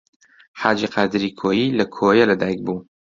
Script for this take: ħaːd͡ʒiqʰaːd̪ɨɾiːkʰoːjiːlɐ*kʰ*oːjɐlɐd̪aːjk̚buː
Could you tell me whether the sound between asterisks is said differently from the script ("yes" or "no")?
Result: no